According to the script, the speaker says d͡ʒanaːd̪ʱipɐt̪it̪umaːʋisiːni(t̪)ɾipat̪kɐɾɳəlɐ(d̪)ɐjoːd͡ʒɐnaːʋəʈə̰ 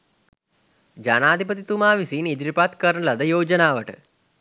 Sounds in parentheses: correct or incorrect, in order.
incorrect, correct

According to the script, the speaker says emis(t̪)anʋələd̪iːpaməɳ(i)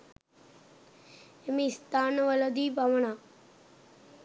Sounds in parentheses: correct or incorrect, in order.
correct, incorrect

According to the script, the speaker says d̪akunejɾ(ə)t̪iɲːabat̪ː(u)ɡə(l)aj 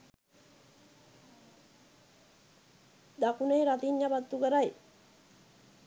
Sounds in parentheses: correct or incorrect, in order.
incorrect, correct, incorrect

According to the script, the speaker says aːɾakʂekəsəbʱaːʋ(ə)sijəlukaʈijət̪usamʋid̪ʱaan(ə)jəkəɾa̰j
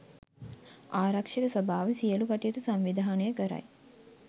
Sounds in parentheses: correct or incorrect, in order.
correct, correct

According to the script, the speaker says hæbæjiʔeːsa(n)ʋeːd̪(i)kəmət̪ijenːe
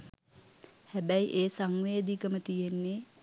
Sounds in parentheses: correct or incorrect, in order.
incorrect, correct

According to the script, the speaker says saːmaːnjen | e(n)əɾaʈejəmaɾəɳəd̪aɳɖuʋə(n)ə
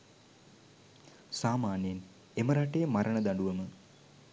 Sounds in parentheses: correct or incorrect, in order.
incorrect, incorrect

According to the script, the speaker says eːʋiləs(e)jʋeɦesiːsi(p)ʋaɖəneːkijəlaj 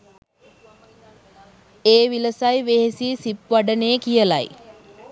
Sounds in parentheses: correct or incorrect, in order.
incorrect, correct

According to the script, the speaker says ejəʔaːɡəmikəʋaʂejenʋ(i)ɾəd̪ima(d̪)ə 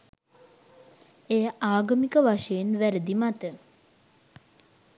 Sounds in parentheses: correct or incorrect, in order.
incorrect, incorrect

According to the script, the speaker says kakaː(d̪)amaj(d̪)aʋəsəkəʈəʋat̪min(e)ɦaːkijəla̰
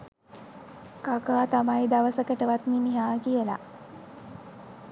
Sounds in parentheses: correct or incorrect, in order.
incorrect, correct, incorrect

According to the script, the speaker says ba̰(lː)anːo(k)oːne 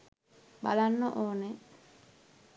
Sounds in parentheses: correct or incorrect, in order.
incorrect, incorrect

